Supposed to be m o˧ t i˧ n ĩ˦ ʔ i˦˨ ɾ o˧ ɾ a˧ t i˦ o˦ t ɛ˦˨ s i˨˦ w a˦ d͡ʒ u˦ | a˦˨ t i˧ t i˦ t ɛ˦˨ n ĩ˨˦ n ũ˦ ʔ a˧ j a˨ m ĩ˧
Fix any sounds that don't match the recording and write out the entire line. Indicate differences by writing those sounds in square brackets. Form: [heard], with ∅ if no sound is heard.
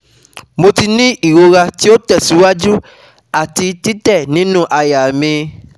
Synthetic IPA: m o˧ t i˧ n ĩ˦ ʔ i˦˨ ɾ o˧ ɾ a˧ t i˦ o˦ t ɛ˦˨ s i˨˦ w a˦ d͡ʒ u˦ | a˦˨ t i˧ t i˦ t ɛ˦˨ n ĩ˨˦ n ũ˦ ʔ a˧ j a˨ m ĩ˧